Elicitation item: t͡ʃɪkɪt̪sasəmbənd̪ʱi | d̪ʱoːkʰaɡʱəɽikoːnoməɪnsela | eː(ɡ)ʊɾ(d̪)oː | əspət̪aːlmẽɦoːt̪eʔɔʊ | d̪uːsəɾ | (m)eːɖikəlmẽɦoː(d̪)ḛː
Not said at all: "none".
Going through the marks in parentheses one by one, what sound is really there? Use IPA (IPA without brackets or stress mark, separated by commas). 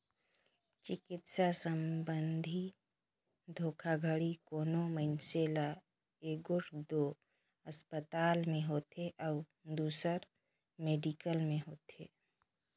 ɡ, d̪, m, t̪